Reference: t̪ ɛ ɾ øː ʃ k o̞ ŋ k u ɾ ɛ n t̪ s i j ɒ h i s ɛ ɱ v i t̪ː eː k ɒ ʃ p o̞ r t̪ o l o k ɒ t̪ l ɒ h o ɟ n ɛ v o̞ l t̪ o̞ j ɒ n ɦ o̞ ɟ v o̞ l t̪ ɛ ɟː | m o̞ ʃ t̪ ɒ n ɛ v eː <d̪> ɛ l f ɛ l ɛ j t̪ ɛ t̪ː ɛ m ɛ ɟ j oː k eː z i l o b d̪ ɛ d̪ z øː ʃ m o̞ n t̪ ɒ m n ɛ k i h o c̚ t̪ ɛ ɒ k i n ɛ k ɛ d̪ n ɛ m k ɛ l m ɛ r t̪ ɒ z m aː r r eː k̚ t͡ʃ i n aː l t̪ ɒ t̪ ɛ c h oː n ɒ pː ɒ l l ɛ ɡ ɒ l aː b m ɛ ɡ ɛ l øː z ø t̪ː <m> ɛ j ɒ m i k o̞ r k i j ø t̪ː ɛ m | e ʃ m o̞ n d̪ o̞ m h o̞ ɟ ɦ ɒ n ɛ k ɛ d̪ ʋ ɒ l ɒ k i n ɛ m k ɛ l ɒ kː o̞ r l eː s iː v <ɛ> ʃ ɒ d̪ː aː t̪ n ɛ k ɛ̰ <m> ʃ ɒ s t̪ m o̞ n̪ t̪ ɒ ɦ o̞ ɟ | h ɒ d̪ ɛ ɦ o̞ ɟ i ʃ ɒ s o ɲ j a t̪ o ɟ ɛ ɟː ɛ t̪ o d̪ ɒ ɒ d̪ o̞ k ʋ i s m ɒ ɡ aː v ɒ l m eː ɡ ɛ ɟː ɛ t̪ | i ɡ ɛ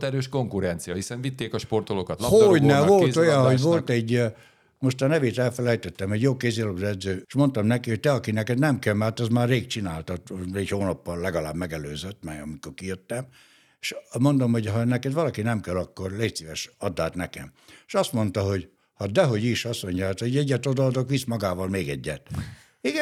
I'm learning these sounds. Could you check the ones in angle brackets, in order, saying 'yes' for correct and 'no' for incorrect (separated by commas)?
no, yes, yes, yes